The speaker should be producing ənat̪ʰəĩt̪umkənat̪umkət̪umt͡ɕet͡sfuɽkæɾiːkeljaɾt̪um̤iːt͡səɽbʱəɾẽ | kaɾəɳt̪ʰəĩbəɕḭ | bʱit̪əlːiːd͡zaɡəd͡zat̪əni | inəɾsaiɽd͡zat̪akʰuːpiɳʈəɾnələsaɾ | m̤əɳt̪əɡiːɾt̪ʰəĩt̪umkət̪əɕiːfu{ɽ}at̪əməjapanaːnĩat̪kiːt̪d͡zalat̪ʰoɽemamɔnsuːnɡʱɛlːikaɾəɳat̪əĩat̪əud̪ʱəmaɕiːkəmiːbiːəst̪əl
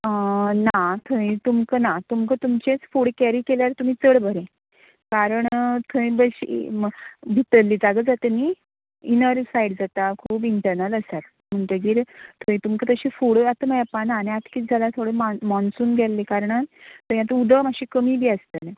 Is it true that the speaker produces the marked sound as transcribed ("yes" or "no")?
yes